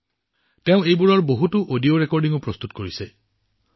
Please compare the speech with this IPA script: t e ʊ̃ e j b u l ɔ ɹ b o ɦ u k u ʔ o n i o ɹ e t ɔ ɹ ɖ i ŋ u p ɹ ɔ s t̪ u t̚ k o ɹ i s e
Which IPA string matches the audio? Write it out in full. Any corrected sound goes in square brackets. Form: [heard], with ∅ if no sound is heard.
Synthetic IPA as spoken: t e ʊ̃ e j b u [ɹ] ɔ ɹ b o ɦ u [t] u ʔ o [d] i o ɹ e [k] ɔ ɹ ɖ i ŋ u p ɹ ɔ s t̪ u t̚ k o ɹ i s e